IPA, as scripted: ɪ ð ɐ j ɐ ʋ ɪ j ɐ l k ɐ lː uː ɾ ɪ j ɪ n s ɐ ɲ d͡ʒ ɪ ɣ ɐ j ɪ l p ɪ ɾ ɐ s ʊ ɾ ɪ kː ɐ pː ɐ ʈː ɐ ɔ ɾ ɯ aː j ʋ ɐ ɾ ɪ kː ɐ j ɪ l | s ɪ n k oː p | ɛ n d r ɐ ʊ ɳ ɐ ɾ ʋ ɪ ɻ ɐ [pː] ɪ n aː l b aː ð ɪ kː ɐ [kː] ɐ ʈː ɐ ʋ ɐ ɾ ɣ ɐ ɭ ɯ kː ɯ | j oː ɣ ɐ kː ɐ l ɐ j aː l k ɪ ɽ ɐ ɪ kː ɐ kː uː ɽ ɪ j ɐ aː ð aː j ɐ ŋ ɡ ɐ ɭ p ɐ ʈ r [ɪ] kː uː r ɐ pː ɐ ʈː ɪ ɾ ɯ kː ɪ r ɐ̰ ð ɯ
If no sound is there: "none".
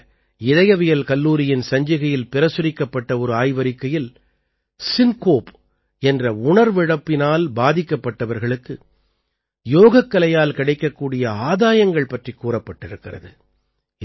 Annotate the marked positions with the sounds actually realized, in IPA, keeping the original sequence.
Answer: pː, pː, i

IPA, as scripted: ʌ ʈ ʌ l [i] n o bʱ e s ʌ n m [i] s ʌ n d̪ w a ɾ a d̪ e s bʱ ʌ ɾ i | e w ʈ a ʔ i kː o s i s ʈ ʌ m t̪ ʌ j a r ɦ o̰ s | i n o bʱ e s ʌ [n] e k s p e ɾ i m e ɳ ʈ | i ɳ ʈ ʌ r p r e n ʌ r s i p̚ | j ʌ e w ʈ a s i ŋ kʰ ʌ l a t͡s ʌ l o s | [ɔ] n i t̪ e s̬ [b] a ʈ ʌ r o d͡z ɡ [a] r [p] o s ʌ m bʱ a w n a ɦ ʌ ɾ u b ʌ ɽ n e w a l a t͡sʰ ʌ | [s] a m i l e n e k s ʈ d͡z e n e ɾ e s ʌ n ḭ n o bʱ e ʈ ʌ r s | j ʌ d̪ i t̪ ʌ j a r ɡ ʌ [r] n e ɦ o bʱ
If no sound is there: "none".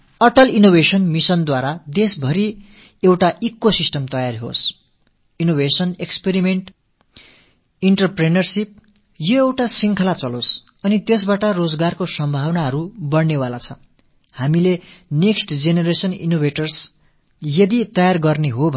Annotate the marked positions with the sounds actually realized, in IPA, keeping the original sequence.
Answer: i, i, n, ʌ, b, a, k, h, r

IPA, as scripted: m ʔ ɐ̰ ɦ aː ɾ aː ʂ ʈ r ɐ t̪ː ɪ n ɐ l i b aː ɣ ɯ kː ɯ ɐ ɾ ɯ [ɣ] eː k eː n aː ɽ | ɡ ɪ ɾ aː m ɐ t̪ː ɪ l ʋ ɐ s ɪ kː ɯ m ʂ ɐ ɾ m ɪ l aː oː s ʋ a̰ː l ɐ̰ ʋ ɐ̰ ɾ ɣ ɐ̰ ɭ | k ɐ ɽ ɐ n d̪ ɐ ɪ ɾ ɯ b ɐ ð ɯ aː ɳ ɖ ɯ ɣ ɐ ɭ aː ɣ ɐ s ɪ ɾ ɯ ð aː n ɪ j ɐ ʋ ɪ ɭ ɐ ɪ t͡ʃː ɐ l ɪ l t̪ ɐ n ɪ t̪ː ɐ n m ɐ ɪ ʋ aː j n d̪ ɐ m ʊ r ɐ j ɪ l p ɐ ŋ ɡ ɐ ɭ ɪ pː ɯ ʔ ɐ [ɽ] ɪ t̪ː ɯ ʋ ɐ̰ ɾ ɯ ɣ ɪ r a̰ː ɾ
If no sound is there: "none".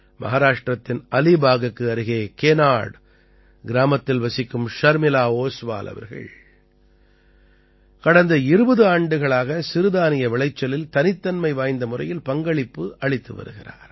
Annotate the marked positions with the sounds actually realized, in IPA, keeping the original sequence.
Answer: ɣ, ɭ

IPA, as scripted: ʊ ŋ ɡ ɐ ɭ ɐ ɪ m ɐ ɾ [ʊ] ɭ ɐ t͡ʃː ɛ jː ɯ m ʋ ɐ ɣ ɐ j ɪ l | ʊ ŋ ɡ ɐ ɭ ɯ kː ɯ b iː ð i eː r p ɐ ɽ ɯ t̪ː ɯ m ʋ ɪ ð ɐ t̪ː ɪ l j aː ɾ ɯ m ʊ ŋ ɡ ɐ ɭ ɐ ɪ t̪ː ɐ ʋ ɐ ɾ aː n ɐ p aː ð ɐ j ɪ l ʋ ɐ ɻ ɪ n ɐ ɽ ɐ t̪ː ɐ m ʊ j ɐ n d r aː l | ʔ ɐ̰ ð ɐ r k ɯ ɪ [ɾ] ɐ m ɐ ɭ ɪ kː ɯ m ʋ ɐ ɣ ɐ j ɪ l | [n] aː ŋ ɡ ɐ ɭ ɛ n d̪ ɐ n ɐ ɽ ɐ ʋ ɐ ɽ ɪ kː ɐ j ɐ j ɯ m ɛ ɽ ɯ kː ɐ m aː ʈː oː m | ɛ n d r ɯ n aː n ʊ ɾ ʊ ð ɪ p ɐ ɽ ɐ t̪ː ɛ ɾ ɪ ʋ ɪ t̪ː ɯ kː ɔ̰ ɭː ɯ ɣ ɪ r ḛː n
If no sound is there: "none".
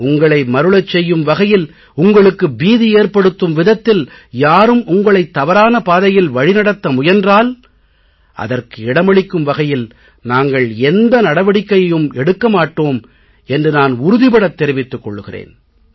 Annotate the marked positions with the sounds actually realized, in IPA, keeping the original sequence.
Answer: ɯ, ɽ, n

